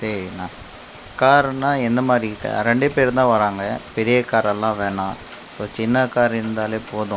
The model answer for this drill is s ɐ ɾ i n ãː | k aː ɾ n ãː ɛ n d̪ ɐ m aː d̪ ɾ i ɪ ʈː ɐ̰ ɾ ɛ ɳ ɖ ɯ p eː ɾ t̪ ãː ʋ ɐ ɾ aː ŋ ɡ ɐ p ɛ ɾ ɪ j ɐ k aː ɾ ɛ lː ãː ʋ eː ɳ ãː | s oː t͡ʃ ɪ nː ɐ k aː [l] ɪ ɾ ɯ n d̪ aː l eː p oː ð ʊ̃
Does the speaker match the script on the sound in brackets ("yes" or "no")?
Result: no